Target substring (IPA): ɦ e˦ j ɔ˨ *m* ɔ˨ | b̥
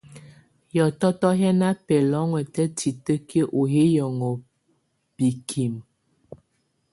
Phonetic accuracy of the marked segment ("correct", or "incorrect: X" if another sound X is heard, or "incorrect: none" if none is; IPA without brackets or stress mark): incorrect: ŋ